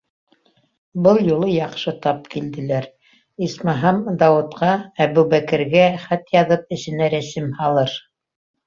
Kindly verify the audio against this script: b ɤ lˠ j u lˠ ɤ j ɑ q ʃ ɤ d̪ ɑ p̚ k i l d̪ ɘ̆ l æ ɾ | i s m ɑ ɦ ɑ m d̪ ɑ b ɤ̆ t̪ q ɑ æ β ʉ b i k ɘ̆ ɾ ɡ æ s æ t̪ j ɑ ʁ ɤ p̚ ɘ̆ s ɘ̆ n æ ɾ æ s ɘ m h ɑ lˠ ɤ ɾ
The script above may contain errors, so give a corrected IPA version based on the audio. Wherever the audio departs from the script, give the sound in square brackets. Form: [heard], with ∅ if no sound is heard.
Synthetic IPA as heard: b ɤ lˠ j u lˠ ɤ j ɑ q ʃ ɤ [t̪] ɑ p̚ k i l d̪ ɘ̆ l æ ɾ | i s m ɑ ɦ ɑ m d̪ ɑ [w] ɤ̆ t̪ q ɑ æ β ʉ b [æ] k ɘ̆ ɾ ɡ æ [χ] æ t̪ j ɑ [ð] ɤ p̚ ɘ̆ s ɘ̆ n æ ɾ æ s ɘ m h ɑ lˠ ɤ ɾ